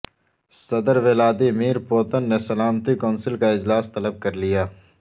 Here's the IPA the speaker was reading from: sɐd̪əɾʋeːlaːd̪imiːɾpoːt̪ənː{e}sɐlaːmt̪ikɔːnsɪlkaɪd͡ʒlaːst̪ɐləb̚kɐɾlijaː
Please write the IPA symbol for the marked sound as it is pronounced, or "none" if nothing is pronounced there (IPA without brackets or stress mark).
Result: e